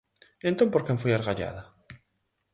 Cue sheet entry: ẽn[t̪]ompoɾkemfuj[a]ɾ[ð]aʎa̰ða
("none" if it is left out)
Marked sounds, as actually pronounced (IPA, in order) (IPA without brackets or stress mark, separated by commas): t̪, a, ɣ